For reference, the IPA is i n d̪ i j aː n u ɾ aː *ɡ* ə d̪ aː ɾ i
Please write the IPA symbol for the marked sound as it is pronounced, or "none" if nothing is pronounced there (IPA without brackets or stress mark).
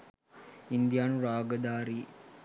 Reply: ɡ